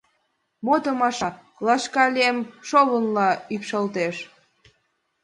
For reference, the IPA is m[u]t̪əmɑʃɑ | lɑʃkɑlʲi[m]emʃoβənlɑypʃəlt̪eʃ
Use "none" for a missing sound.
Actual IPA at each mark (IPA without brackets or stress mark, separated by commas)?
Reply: o, none